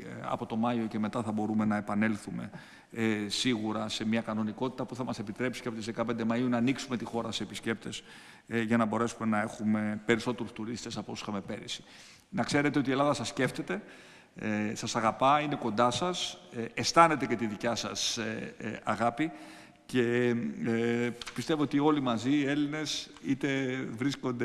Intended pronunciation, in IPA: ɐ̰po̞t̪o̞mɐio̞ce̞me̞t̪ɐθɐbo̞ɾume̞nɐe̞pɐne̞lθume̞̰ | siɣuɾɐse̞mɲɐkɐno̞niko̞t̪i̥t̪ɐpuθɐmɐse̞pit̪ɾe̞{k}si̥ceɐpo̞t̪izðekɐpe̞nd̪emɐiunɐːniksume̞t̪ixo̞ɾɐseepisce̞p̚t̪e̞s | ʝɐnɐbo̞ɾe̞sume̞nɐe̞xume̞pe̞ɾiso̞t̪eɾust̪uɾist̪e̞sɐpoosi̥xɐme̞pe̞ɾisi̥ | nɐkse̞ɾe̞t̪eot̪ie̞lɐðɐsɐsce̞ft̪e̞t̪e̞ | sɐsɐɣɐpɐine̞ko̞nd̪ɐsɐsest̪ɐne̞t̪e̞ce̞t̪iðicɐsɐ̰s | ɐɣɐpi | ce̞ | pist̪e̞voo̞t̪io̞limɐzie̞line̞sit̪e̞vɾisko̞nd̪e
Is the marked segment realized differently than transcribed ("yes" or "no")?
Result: yes